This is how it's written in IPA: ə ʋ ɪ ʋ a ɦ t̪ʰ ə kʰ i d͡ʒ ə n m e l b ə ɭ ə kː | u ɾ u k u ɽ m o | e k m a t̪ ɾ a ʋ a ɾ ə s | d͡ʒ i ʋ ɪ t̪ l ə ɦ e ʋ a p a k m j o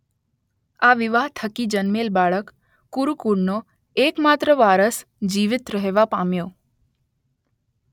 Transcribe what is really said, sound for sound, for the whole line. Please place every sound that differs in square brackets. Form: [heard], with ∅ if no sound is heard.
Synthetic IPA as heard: [a] ʋ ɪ ʋ a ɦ t̪ʰ ə [k] i d͡ʒ ə n m e l b [a] ɭ ə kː | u ɾ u k u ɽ [n] o | e k m a t̪ ɾ [ə] ʋ a ɾ ə s | d͡ʒ i ʋ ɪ t̪ [ɾ] ə ɦ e ʋ a p a [∅] m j o